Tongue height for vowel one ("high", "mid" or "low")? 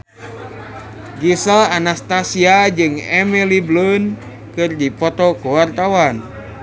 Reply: high